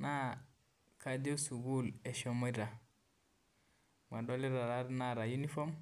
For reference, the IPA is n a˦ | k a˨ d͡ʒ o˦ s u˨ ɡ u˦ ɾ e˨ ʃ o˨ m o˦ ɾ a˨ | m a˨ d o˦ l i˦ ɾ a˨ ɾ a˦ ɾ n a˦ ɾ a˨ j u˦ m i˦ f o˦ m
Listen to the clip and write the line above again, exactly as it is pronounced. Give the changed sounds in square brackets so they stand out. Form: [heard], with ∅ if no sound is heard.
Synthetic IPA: n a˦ | k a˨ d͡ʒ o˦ s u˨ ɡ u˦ [l] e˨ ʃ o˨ m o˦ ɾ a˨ | m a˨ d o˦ l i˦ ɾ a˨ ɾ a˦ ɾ n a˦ ɾ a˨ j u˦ [n] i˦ f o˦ m